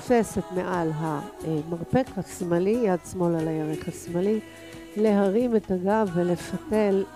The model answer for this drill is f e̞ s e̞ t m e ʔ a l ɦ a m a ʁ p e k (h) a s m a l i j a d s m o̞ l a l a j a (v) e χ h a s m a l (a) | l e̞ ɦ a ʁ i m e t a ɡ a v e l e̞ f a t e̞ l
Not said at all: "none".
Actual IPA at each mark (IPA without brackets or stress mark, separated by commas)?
h, ʁ, i